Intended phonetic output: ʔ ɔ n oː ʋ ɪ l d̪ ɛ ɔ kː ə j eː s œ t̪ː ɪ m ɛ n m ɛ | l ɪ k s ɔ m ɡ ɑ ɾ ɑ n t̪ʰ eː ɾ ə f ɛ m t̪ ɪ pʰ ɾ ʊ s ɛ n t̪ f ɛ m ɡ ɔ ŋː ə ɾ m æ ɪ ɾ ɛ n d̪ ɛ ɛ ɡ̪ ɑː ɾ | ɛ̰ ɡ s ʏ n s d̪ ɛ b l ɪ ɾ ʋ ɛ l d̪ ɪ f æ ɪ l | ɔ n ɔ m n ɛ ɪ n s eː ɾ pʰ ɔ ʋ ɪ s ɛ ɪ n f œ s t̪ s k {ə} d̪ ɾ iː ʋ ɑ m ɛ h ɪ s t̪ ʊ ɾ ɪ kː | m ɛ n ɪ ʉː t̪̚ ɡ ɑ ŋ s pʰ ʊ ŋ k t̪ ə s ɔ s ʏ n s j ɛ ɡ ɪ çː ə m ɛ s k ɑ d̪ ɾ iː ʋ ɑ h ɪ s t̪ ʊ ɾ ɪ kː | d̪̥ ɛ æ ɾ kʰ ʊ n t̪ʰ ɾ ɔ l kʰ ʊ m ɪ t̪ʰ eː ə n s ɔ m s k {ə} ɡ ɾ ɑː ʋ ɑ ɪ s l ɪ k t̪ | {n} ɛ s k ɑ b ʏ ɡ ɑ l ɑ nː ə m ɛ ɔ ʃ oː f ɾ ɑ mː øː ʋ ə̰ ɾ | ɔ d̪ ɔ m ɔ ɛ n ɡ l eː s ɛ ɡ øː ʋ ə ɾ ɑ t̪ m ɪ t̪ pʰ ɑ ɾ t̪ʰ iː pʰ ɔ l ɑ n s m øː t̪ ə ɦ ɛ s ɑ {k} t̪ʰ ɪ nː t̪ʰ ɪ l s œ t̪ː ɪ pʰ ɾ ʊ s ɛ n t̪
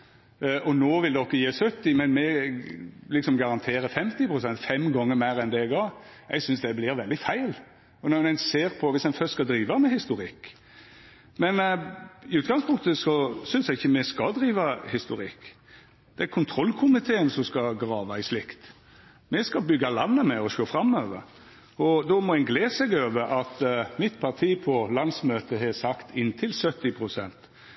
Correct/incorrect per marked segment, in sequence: incorrect: ɑ, incorrect: ɑ, incorrect: m, correct

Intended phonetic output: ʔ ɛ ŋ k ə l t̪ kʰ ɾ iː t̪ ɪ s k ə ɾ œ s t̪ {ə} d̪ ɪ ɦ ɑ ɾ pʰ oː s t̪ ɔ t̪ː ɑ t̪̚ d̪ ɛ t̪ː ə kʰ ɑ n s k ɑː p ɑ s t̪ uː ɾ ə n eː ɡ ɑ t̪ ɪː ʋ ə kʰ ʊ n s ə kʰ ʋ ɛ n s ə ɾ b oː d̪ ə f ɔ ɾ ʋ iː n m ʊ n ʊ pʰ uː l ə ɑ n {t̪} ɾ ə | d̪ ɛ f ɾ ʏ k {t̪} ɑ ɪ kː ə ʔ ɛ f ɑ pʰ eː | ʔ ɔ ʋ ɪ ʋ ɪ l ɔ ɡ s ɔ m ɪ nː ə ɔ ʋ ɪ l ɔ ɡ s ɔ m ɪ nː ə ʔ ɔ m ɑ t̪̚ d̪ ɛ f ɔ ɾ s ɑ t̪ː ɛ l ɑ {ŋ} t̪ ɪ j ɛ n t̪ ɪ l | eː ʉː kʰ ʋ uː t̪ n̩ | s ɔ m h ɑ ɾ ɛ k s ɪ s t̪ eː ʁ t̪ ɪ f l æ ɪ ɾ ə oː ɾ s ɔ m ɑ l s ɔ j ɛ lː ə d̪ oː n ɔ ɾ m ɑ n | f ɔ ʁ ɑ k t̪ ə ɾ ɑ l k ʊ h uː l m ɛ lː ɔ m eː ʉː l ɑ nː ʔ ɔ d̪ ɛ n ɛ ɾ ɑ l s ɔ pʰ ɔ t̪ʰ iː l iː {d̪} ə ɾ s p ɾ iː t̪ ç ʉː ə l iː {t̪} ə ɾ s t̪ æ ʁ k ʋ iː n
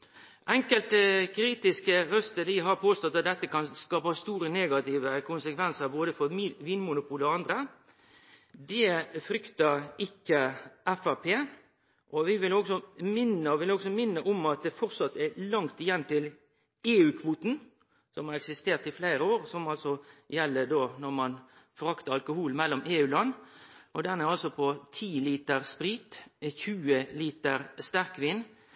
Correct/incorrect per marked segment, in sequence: correct, incorrect: d̪, correct, correct, incorrect: t̪, correct

